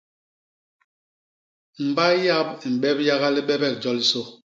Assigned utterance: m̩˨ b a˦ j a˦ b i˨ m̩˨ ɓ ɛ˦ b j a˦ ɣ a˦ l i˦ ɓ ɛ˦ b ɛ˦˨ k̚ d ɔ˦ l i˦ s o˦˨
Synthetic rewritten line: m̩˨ b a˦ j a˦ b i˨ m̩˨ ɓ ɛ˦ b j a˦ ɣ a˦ l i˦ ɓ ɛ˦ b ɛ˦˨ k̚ d͡ʒ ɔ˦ l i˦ s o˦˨